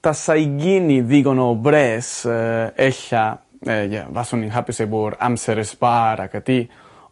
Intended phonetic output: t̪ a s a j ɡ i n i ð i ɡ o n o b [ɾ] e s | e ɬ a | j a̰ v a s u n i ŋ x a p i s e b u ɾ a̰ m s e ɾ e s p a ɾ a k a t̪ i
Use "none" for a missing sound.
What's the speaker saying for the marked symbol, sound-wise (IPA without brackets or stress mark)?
ɾ